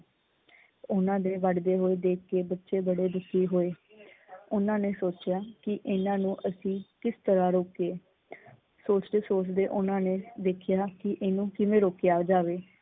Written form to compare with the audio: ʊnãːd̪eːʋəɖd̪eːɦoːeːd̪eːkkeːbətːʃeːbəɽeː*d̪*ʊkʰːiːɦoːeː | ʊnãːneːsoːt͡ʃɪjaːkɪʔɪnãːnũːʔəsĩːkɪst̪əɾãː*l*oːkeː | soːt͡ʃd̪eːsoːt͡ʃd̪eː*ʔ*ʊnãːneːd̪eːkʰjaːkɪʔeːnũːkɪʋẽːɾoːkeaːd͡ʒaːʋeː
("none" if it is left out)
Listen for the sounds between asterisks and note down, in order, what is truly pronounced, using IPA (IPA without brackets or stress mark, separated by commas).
d̪, ɾ, ʔ